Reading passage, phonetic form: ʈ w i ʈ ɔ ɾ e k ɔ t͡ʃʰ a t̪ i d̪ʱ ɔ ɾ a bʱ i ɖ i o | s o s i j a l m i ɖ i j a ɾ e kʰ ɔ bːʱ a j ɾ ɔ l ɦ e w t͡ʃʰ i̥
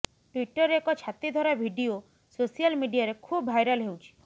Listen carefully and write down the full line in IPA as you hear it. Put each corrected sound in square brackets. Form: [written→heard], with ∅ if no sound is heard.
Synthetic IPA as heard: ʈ w i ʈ ɔ ɾ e k ɔ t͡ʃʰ a t̪ i d̪ʱ ɔ ɾ a bʱ i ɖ i o | s o s i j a l m i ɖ i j a ɾ e kʰ [ɔ→u] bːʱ a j ɾ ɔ l ɦ e w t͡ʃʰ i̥

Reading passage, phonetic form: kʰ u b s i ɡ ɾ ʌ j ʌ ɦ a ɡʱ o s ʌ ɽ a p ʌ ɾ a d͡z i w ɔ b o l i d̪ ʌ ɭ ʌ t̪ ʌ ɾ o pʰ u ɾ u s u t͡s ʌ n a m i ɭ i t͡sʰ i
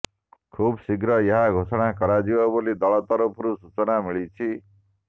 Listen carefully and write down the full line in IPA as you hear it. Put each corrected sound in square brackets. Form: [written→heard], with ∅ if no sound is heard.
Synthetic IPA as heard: kʰ u b s i ɡ ɾ ʌ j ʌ ɦ a ɡʱ o s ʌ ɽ a [p→k] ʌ ɾ a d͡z i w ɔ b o l i d̪ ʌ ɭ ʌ t̪ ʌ ɾ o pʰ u ɾ u s u t͡s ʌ n a m i ɭ i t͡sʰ i

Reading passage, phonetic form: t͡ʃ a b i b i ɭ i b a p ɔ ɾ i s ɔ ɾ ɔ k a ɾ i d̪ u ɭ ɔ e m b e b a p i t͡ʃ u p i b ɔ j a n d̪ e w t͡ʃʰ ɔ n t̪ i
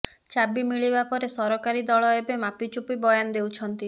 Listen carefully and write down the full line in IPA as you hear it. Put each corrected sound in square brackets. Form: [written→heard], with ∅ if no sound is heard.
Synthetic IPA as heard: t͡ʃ a b i [b→m] i ɭ i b a p ɔ ɾ [i→e] s ɔ ɾ ɔ k a ɾ i d̪ [u→ɔ] ɭ ɔ e [m→∅] b e [b→m] a p i t͡ʃ u p i b ɔ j a n d̪ e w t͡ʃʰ ɔ n t̪ i

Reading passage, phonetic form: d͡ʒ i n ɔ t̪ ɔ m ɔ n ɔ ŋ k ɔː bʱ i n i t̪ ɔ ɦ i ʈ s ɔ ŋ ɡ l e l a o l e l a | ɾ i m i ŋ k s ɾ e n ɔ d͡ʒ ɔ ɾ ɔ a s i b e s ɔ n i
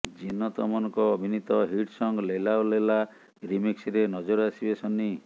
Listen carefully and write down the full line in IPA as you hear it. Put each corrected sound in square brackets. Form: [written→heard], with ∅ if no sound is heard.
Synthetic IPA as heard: d͡ʒ i n ɔ t̪ ɔ m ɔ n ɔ ŋ k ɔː bʱ i n i t̪ ɔ ɦ i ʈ s ɔ ŋ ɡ l e l a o l e l a | ɾ i m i [ŋ→∅] k s ɾ e n ɔ d͡ʒ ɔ ɾ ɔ a s i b e s ɔ n i

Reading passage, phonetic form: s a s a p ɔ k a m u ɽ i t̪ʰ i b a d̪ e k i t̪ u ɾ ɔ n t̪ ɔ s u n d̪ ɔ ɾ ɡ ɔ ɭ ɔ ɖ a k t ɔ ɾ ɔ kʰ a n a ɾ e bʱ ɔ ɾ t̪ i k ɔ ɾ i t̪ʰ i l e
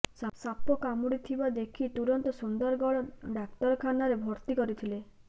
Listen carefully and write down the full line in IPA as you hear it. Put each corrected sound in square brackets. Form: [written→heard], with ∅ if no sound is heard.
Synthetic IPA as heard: s a s a p ɔ k a m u ɽ i t̪ʰ i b a d̪ e [k→kʰ] i t̪ u ɾ ɔ n t̪ ɔ s u n d̪ ɔ ɾ ɡ ɔ ɭ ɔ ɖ a k t ɔ ɾ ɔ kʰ a n a ɾ e bʱ ɔ ɾ t̪ i k ɔ ɾ i t̪ʰ i l e

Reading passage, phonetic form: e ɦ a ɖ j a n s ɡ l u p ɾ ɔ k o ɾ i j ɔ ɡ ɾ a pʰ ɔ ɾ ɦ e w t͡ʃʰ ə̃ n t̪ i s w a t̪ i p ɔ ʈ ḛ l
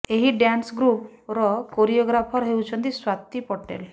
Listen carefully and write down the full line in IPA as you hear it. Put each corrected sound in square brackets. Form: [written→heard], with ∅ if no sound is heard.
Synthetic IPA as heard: e ɦ [a→i] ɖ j a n s ɡ [l→ɾ] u p ɾ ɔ k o ɾ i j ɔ ɡ ɾ a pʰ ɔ ɾ ɦ e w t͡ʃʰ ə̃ n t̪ i s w a t̪ i p ɔ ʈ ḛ l

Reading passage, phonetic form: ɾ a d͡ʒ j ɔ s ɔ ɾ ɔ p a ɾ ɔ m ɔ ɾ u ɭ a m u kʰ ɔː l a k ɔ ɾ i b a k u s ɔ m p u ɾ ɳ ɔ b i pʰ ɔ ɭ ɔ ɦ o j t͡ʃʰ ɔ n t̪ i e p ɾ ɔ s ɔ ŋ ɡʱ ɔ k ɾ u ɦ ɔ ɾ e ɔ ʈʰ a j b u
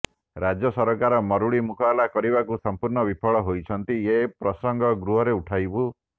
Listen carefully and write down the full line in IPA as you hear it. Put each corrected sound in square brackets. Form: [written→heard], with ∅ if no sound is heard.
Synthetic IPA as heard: ɾ a d͡ʒ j ɔ s ɔ ɾ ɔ [p→k] a ɾ ɔ m ɔ ɾ u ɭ [a→i] m u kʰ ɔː l a k ɔ ɾ i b a k u s ɔ m p u ɾ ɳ ɔ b i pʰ ɔ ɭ ɔ ɦ o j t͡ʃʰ ɔ n t̪ i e p ɾ ɔ s ɔ ŋ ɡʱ ɔ [k→ɡ] ɾ u ɦ ɔ ɾ e [ɔ→u] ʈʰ a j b u

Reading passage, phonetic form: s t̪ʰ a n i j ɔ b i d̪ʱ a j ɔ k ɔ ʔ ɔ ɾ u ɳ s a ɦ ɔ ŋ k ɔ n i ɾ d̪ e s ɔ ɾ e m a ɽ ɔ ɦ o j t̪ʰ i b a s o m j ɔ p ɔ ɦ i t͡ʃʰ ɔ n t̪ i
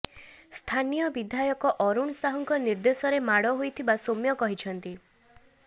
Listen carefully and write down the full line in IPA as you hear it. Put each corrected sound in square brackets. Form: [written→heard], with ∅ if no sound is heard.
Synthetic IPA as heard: s t̪ʰ a n i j ɔ b i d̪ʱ a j ɔ k ɔ ʔ ɔ ɾ u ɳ s a ɦ ɔ ŋ k ɔ n i ɾ d̪ e s ɔ ɾ e m a ɽ ɔ ɦ o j t̪ʰ i b a s o m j ɔ [p→k] ɔ ɦ i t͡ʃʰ ɔ n t̪ i

